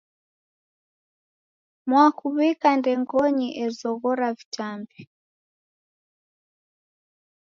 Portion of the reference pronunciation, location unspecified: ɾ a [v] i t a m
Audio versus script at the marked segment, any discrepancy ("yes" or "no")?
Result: no